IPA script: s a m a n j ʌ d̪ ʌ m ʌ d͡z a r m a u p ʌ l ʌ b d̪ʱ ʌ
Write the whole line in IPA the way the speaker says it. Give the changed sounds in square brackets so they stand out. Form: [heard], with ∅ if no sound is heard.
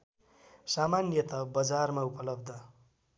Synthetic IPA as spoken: s a m a n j ʌ [t̪] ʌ [b] ʌ d͡z a r m a u p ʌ l ʌ b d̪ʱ ʌ